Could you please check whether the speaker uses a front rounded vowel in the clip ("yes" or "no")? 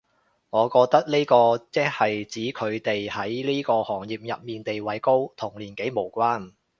no